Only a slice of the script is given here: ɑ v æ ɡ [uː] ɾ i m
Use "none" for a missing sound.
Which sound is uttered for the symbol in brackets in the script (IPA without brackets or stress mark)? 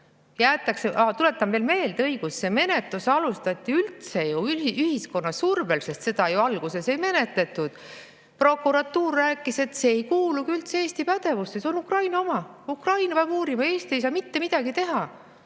uː